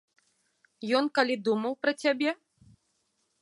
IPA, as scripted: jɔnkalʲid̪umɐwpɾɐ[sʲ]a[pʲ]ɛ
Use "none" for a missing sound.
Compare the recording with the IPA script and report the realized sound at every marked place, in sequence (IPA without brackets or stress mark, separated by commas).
t͡sʲ, bʲ